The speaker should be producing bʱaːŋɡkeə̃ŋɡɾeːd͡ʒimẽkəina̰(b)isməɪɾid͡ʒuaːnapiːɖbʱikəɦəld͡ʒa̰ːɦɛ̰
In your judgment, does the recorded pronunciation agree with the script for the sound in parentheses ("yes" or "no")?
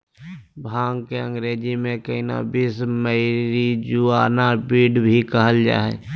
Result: yes